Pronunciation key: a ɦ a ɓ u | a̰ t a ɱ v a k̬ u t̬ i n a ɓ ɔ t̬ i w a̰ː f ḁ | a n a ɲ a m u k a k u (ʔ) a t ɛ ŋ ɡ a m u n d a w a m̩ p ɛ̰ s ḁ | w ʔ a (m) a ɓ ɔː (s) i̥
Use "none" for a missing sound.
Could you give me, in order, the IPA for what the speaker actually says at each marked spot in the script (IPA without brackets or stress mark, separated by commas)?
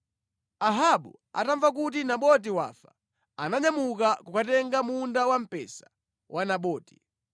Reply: k, n, t